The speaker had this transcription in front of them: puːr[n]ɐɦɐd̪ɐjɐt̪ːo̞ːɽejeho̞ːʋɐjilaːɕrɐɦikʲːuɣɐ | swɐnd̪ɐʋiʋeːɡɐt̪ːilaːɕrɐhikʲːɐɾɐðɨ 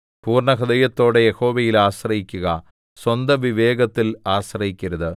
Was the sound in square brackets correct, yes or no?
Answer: no